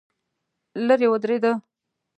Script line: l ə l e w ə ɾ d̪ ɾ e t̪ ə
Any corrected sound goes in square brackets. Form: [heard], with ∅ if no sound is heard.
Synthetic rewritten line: l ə [ɾ] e w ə [∅] d̪ ɾ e [d̪] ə

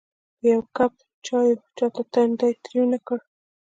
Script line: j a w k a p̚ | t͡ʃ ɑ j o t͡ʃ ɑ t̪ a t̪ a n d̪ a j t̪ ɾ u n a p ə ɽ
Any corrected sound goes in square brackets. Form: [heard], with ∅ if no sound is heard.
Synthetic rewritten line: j a w k a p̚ | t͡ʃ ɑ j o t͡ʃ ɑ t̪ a t̪ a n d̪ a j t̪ ɾ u n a [k] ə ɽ

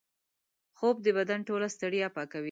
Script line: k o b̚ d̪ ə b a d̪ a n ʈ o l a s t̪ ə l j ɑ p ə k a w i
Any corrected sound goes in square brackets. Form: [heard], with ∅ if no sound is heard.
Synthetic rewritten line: [x] o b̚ d̪ ə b a d̪ a n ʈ o l a s t̪ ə [ɽ] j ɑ p [ɑ] k a w i

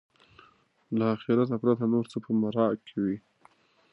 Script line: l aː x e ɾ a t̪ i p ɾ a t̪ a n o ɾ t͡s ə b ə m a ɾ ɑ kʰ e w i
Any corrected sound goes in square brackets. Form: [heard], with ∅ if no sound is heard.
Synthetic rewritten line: l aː x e ɾ a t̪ [a] p ɾ a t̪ a n o ɾ t͡s ə [p] ə m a ɾ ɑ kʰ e w i

